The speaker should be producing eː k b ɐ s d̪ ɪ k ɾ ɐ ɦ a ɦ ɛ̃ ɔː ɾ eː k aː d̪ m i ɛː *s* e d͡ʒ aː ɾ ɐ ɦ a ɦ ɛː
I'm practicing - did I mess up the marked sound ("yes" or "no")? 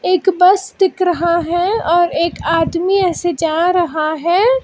no